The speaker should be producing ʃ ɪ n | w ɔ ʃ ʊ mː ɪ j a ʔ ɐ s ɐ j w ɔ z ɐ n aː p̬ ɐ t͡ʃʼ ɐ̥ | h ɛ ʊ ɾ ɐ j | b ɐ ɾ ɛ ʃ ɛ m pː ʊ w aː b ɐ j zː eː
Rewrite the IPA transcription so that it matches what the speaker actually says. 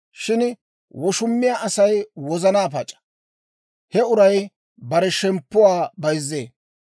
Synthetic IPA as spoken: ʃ ɪ n | w ɔ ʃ ʊ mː ɪ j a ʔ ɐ s ɐ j w ɔ z ɐ n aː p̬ ɐ t͡ʃʼ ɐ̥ | h ɛ ʊ ɾ ɐ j | b ɐ ɾ ɛ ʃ ɛ m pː ʊ w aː b ɐ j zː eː

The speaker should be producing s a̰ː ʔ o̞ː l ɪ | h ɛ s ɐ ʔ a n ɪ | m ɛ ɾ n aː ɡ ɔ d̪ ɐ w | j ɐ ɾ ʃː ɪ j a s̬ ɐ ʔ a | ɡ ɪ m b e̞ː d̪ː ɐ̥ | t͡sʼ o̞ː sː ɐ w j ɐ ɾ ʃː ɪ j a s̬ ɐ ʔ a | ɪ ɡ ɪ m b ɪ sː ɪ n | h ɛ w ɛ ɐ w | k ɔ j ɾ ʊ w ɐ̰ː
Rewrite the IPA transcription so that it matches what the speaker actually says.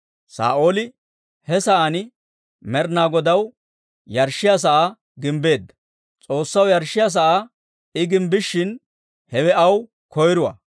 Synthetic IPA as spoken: s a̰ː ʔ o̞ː l ɪ | h ɛ s ɐ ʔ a n ɪ | m ɛ ɾ n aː ɡ ɔ d̪ ɐ w | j ɐ ɾ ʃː ɪ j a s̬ ɐ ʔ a | ɡ ɪ m b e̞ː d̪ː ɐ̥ | t͡sʼ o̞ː sː ɐ w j ɐ ɾ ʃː ɪ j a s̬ ɐ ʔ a | ɪ ɡ ɪ m b ɪ ʃː ɪ n | h ɛ w ɛ ɐ w | k ɔ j ɾ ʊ w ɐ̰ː

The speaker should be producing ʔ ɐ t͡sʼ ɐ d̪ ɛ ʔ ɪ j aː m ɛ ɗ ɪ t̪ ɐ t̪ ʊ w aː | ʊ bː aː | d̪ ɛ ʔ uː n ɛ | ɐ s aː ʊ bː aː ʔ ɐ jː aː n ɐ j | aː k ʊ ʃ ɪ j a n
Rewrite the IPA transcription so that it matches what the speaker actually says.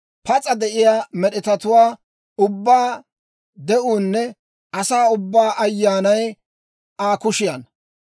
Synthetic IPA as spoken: p ɐ t͡sʼ ɐ d̪ ɛ ʔ ɪ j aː m ɛ ɗ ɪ t̪ ɐ t̪ ʊ w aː | ʊ bː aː | d̪ ɛ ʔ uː nː ɛ | ɐ s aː ʊ bː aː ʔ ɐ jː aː n ɐ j | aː k ʊ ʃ ɪ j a n

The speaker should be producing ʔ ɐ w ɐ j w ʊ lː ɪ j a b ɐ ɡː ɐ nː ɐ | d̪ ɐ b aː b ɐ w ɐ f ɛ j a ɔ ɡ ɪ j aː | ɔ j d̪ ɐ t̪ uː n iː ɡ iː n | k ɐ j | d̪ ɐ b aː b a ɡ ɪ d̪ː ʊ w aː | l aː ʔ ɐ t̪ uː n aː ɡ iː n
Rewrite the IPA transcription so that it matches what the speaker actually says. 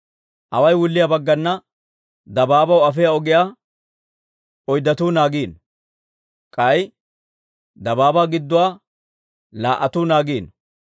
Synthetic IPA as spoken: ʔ ɐ w ɐ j w ʊ lː ɪ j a b ɐ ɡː ɐ nː ɐ | d̪ ɐ b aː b ɐ w ɐ f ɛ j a ɔ ɡ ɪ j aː | ɔ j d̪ ɐ t̪ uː n aː ɡ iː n | kʼ ɐ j | d̪ ɐ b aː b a ɡ ɪ d̪ː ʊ w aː | l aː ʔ ɐ t̪ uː n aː ɡ iː n

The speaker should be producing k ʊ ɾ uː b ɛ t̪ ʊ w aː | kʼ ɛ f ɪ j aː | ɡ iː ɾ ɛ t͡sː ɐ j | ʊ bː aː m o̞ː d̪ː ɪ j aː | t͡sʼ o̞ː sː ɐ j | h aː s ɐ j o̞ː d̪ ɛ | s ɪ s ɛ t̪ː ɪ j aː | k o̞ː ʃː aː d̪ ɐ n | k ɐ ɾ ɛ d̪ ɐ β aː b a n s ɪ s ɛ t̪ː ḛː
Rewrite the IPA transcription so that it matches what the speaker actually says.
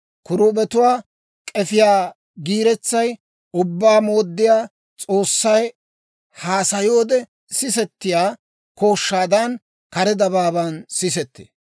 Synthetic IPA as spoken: k ʊ ɾ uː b ɛ t̪ ʊ w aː | kʼ ɛ f ɪ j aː | ɡ iː ɾ ɛ t͡sː ɐ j | ʊ bː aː m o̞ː d̪ː ɪ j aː | t͡sʼ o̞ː sː ɐ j | h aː s ɐ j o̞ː d̪ ɛ | s ɪ s ɛ t̪ː ɪ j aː | k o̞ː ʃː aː d̪ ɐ n | k ɐ ɾ ɛ d̪ ɐ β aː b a n s ɪ s ɛ t̪ː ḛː

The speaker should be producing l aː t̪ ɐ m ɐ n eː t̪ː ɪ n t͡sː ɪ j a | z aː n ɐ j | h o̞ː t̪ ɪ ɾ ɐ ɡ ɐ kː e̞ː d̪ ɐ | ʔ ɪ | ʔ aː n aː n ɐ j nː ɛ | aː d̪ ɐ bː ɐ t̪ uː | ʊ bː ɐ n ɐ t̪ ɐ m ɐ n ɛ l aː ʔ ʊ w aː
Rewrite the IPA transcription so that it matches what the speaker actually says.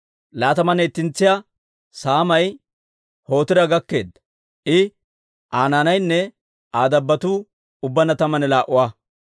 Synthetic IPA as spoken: l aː t̪ ɐ m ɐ n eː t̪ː ɪ n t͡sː ɪ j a | s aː m ɐ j | h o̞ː t̪ ɪ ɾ ɐ ɡ ɐ kː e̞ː d̪ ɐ | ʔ ɪ | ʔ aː n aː n ɐ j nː ɛ | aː d̪ ɐ bː ɐ t̪ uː | ʊ bː ɐ n ɐ t̪ ɐ m ɐ n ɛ l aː ʔ ʊ w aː

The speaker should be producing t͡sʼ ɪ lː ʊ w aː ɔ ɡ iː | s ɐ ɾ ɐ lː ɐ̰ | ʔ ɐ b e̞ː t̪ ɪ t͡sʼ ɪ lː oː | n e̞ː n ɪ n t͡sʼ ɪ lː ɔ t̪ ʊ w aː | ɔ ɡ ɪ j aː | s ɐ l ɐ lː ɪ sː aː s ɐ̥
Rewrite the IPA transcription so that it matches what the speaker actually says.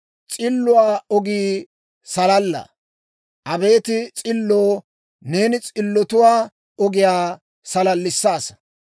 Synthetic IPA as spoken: t͡sʼ ɪ lː ʊ w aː ɔ ɡ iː | s ɐ l ɐ lː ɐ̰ | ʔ ɐ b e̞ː t̪ ɪ t͡sʼ ɪ lː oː | n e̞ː n ɪ t͡sʼ ɪ lː ɔ t̪ ʊ w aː | ɔ ɡ ɪ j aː | s ɐ l ɐ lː ɪ sː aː s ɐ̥

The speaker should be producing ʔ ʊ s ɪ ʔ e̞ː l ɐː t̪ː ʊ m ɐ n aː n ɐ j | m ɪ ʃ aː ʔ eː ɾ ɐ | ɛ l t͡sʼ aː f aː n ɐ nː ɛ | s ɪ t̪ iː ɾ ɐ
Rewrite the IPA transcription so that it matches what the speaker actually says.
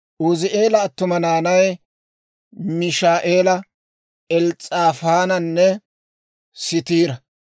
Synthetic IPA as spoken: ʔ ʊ z ɪ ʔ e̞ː l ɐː t̪ː ʊ m ɐ n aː n ɐ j | m ɪ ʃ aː ʔ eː l ɐ | ɛ l t͡sʼ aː f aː n ɐ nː ɛ | s ɪ t̪ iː ɾ ɐ

